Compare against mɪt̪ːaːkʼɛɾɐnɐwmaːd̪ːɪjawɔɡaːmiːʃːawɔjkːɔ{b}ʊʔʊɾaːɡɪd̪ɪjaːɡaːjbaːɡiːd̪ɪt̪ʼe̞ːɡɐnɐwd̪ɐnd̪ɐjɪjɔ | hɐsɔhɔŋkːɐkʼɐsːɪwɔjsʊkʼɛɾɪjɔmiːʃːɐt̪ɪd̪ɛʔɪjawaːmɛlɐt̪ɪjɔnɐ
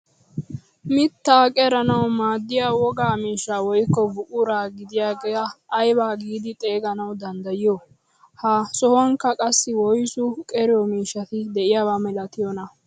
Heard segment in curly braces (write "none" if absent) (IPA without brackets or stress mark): b